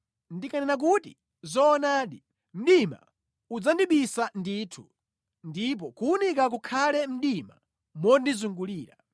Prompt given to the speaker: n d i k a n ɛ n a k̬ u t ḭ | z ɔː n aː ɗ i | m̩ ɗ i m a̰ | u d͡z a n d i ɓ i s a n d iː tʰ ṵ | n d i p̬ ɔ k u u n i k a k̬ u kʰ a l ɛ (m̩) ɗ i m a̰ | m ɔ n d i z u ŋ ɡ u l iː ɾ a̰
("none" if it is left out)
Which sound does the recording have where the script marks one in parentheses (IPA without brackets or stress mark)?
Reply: m̩